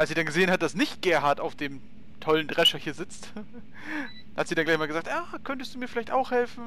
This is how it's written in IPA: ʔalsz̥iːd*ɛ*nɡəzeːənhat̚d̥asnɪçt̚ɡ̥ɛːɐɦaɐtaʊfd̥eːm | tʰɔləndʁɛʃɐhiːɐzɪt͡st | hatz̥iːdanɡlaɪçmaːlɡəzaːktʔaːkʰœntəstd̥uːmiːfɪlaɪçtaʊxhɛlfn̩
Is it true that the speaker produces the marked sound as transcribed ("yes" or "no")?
no